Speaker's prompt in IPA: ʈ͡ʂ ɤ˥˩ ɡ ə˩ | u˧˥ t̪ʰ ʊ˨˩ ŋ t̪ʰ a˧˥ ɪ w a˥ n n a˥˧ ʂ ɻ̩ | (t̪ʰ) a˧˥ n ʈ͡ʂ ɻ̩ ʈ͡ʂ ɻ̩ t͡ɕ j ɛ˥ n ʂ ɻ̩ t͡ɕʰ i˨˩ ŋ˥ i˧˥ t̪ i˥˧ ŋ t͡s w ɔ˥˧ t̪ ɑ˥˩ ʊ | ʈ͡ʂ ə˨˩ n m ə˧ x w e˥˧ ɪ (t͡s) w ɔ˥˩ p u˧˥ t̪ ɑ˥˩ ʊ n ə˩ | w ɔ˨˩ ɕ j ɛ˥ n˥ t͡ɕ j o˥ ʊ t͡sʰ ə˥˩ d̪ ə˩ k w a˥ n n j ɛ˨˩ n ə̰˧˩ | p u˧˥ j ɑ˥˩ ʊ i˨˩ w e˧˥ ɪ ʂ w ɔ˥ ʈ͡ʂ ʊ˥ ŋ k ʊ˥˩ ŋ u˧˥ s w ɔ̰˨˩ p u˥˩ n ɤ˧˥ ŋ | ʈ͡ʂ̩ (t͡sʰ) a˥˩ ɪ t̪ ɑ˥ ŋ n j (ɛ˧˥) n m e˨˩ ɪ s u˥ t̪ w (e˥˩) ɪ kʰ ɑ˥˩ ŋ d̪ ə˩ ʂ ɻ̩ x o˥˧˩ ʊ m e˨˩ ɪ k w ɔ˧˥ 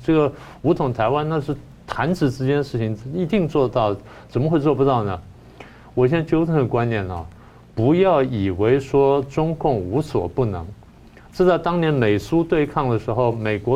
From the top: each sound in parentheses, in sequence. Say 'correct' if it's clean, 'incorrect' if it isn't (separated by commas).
correct, correct, incorrect, correct, incorrect